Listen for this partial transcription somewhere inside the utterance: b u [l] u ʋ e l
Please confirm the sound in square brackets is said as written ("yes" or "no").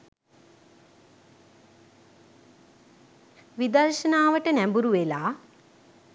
no